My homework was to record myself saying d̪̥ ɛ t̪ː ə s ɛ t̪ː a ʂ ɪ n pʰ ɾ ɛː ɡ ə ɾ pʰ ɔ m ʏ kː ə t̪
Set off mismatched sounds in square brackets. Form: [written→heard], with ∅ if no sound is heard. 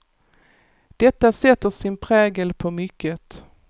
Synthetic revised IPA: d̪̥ ɛ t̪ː [ə→a] s ɛ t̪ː [a→ə] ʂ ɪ n pʰ ɾ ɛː ɡ ə [ɾ→l] pʰ ɔ m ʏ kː ə t̪